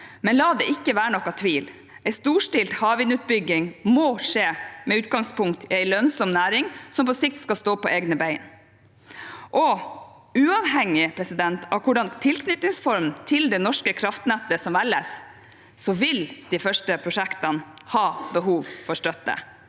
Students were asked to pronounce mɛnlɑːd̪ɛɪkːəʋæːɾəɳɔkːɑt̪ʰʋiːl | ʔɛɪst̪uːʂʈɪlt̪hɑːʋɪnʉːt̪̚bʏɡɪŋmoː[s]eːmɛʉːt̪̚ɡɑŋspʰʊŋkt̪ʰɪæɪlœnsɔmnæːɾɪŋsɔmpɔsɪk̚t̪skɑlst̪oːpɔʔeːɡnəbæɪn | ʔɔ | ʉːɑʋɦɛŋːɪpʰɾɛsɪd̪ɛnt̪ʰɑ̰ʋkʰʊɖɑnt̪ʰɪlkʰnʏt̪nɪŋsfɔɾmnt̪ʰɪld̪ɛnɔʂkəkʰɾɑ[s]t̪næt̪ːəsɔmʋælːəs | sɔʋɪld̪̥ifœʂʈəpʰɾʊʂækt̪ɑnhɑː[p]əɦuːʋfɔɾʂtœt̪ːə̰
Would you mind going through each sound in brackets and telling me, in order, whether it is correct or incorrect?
incorrect, incorrect, incorrect

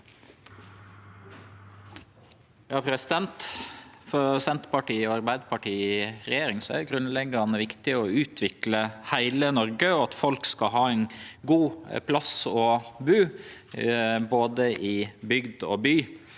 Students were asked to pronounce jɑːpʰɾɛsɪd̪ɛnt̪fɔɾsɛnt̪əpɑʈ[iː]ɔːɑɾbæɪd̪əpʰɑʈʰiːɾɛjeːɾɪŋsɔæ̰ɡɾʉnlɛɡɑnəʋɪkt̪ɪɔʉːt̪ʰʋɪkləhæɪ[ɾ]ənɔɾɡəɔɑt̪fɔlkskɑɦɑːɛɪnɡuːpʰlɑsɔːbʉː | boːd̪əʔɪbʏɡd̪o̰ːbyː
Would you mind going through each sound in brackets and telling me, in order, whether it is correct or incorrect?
correct, incorrect

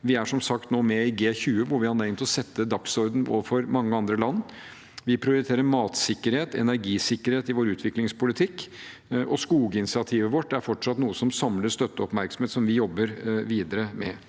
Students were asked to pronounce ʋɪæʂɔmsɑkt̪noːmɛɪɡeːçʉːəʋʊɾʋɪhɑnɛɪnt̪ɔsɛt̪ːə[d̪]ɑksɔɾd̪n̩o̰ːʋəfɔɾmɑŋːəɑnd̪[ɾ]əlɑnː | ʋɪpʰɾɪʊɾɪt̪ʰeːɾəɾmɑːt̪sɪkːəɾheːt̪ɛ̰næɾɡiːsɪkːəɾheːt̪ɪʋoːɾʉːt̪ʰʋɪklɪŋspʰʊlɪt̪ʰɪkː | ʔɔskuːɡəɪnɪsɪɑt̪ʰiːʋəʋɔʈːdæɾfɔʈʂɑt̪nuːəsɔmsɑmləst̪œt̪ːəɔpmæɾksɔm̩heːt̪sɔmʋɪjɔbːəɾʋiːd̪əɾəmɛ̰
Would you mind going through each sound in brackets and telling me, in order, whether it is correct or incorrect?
correct, correct

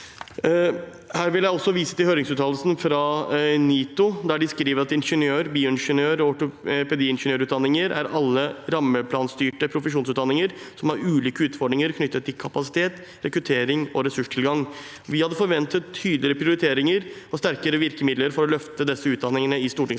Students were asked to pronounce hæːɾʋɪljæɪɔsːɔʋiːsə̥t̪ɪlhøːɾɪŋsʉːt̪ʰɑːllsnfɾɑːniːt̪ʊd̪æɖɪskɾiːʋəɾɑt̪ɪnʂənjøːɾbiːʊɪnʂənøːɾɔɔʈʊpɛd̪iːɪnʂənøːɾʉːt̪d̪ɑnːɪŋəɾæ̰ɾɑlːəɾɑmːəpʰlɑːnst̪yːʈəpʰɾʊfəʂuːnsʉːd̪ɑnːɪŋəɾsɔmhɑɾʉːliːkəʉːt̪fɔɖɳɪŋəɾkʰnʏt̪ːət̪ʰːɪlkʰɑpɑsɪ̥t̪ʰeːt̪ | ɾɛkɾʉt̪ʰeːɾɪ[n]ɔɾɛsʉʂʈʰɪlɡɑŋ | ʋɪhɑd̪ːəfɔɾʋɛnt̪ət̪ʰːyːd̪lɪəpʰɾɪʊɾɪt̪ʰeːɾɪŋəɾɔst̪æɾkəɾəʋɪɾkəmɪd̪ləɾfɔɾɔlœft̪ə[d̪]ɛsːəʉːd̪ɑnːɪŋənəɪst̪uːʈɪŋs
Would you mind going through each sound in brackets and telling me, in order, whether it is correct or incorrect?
incorrect, correct

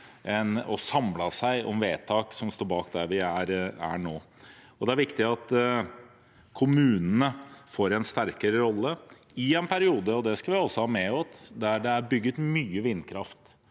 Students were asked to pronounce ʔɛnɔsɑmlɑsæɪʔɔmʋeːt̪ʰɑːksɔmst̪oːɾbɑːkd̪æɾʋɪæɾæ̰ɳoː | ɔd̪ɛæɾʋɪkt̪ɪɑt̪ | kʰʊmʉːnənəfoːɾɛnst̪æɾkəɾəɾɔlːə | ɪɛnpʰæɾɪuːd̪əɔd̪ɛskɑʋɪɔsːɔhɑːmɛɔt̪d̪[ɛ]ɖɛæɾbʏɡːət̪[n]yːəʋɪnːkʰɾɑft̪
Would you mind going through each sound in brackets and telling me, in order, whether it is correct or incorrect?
incorrect, incorrect

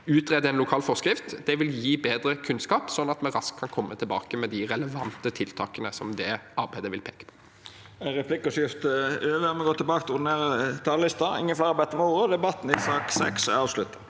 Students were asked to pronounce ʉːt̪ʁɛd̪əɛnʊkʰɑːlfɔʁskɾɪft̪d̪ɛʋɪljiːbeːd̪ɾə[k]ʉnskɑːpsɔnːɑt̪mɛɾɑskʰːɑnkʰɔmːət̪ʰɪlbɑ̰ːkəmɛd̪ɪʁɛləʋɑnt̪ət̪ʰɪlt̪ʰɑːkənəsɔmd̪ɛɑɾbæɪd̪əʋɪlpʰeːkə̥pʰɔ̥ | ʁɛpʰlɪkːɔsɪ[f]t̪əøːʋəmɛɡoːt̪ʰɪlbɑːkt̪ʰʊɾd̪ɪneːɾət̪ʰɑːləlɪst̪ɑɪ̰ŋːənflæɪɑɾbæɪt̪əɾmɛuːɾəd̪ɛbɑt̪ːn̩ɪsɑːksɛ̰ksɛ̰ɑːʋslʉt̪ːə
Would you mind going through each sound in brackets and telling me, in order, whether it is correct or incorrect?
incorrect, correct

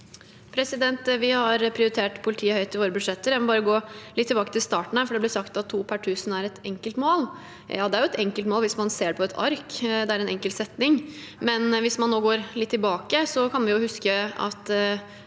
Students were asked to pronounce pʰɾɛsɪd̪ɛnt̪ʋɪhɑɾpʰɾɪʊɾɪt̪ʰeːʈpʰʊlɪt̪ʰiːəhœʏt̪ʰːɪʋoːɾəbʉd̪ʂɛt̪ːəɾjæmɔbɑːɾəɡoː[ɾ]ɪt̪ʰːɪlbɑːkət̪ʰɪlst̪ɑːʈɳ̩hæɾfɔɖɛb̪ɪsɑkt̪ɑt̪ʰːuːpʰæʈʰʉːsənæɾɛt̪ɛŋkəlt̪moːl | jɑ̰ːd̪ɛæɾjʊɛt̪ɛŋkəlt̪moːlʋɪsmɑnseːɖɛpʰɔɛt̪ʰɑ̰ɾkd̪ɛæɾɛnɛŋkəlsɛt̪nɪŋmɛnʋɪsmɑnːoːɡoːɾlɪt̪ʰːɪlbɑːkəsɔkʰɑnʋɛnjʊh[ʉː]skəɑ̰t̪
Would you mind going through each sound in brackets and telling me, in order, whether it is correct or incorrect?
incorrect, incorrect

